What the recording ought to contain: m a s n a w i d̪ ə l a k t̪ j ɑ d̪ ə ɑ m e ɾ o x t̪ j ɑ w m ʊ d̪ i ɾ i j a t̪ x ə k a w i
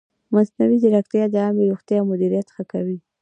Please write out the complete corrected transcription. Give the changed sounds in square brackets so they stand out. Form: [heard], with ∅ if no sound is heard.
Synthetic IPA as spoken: m a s n a w i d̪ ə [ɾ] a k t̪ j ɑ d̪ ə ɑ m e ɾ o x t̪ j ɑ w m ʊ d̪ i ɾ i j a t̪ x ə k a w i